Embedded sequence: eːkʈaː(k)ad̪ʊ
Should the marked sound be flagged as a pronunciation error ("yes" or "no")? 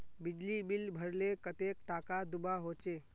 no